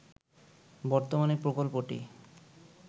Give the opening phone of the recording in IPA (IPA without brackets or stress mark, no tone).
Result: b